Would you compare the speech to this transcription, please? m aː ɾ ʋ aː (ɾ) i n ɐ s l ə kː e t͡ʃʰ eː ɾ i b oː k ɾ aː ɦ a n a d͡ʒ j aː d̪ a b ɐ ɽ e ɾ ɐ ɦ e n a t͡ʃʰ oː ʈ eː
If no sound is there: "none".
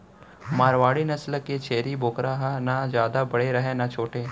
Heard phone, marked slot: ɽ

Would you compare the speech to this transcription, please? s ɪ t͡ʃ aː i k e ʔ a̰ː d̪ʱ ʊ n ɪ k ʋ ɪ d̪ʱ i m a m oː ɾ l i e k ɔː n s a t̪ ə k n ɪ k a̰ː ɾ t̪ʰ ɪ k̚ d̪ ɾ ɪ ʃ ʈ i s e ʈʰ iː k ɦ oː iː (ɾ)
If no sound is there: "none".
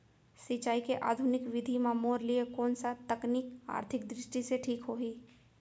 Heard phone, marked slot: none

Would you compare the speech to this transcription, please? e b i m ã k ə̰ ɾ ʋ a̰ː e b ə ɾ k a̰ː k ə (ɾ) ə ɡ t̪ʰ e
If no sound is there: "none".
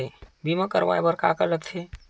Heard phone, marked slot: l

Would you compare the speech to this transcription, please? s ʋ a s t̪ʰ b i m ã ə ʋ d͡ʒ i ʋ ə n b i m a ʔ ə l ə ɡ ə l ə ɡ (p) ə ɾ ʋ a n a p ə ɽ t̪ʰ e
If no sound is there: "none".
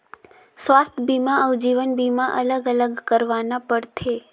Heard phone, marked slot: k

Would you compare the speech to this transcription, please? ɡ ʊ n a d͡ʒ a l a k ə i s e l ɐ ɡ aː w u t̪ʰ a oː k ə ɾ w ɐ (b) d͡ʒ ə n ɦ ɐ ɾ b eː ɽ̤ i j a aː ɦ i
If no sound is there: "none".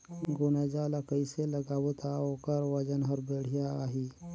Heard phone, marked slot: none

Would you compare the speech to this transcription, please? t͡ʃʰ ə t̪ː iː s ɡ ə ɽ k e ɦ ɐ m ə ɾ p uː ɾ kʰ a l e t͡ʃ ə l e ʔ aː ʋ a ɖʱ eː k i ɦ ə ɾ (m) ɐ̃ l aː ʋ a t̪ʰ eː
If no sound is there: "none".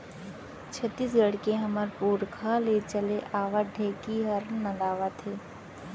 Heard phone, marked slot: n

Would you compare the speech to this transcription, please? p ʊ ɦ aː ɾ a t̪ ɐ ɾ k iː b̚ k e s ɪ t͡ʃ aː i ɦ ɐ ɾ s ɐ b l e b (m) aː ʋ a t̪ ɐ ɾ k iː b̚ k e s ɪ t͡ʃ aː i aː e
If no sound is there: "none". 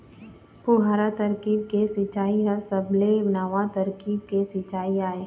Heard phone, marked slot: n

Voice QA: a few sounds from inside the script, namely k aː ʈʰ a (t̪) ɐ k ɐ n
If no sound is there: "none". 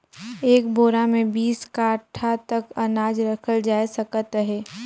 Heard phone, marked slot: t̪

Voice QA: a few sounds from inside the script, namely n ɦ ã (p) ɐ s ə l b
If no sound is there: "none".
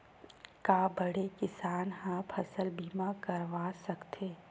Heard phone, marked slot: pʰ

